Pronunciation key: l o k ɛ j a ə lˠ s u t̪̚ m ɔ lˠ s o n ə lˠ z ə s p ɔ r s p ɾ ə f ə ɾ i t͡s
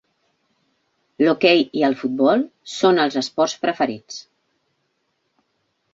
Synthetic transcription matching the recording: l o k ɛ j i ə lˠ f u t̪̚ b ɔ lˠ s o n ə lˠ z ə s p ɔ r s p ɾ ə f ə ɾ i t͡s